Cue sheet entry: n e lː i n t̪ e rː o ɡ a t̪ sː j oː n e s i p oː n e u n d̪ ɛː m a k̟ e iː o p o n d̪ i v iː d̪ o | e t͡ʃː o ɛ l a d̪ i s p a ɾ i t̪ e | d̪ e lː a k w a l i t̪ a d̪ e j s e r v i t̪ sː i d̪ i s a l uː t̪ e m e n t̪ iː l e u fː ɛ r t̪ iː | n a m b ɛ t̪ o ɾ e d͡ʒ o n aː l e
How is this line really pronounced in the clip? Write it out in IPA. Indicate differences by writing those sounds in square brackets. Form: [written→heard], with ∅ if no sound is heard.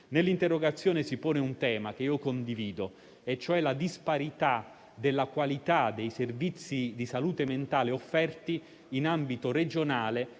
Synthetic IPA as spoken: n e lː i n t̪ e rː o ɡ a t̪ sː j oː n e s i p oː n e u n [d̪→t̪] ɛː m a k̟ e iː o [p→k] o n d̪ i v iː d̪ o | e t͡ʃː o ɛ l a d̪ i s p a ɾ i t̪ [e→a] | d̪ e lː a k w a l i t̪ a d̪ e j s e r v i t̪ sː i d̪ i s a l uː t̪ e m e n t̪ [iː→aː] l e [u→o] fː ɛ r t̪ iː | n a m b [ɛ→i] t̪ o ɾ e d͡ʒ o n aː l e

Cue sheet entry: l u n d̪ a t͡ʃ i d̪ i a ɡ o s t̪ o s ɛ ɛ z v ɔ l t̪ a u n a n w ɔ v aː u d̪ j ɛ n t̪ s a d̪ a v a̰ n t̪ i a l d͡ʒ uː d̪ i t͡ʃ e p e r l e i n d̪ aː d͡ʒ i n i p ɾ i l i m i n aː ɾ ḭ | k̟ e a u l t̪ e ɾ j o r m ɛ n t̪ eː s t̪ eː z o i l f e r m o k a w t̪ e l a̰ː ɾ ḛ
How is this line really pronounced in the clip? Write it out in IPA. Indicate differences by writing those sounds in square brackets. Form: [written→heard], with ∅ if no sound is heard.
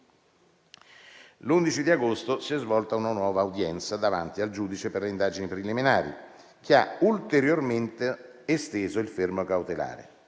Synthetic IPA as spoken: l u n d̪ [a→i] t͡ʃ i d̪ i a ɡ o s t̪ o s [ɛ→i] ɛ z v ɔ l t̪ a u n a n w [ɔ→ɔː] v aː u d̪ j ɛ n t̪ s a d̪ a v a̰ n t̪ i a l d͡ʒ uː d̪ i t͡ʃ e p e r l e i n d̪ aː d͡ʒ i n i p ɾ i l i m i n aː ɾ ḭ | k̟ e a u l t̪ e ɾ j o r m [ɛ→e] n t̪ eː s t̪ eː z o i l f e r m o k a w t̪ e l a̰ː ɾ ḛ

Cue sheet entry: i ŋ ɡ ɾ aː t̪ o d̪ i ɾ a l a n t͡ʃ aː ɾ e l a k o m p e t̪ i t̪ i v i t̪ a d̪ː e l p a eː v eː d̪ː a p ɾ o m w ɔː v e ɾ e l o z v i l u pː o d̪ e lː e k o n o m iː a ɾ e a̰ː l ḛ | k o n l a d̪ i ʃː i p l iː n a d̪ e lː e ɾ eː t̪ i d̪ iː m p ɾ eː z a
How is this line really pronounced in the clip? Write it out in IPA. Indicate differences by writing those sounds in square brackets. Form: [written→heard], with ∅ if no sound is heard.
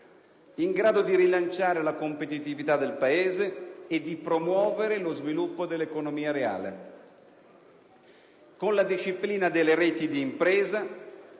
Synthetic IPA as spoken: i ŋ ɡ ɾ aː [t̪→d̪] o d̪ i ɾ [a→i] l a n t͡ʃ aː ɾ e l a k o m p e t̪ i t̪ i v i t̪ a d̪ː e l p a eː [v→z] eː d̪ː [a→i] p ɾ o m w ɔː v e ɾ e l o z v i l u pː o d̪ e lː e k o n o m iː a ɾ e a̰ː l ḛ | k o n l a d̪ i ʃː i p l iː n a d̪ e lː e ɾ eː t̪ i d̪ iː m p ɾ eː z a

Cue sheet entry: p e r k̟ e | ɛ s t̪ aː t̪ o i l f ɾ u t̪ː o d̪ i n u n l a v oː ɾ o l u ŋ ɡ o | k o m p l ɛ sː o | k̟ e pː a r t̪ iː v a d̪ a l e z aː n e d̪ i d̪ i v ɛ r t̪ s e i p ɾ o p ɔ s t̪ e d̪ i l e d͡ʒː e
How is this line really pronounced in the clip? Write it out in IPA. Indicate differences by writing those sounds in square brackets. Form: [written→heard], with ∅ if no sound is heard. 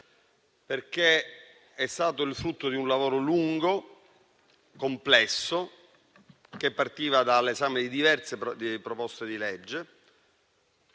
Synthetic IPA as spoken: p e r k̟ e | ɛ s t̪ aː t̪ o i l f ɾ u t̪ː o d̪ i [n→∅] u n l a v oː ɾ o l u ŋ ɡ o | k o m p l ɛ sː o | k̟ e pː a r t̪ iː v a d̪ a l e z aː [n→m] e d̪ i d̪ i v ɛ r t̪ s e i p ɾ o p ɔ s t̪ e d̪ i l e d͡ʒː e

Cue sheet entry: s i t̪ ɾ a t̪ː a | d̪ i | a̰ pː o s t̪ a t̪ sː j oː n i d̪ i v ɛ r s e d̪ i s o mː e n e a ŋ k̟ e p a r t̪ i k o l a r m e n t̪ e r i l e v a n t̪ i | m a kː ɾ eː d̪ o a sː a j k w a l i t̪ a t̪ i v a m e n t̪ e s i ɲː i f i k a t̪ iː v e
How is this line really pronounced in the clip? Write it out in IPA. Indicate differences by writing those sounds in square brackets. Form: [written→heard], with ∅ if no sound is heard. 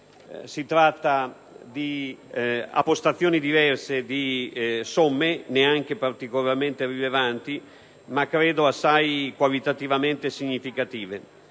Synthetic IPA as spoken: s i t̪ ɾ a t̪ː a | d̪ i | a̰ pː o s t̪ a t̪ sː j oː n i d̪ i v ɛ r s e d̪ i s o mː e n e a ŋ k̟ e p a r t̪ i k o l a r m e n t̪ e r i l e v a n t̪ i | m a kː ɾ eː d̪ o a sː a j k w a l i t̪ a t̪ i v a m e n t̪ e s i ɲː i f i k a t̪ iː v e

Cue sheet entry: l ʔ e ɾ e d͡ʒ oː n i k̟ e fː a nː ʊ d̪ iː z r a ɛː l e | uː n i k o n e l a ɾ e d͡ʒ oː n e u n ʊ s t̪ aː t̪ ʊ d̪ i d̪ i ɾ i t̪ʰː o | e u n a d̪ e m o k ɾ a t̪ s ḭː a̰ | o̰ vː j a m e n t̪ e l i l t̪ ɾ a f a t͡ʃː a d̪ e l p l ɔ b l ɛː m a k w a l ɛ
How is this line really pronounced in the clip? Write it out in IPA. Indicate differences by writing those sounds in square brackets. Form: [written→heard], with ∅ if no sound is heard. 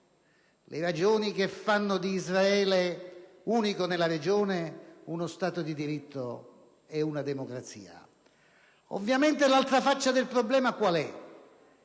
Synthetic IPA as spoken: l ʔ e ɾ [e→a] d͡ʒ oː n i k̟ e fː a nː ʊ d̪ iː z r a ɛː l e | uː n i k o n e l a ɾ e d͡ʒ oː n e u n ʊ s t̪ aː t̪ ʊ d̪ i d̪ i ɾ i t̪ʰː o | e u n a d̪ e m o k ɾ a t̪ s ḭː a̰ | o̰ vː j a m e n t̪ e l [i→a] l t̪ ɾ a f a t͡ʃː a d̪ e l p [l→ɾ] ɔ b l ɛː m a k w a l ɛ

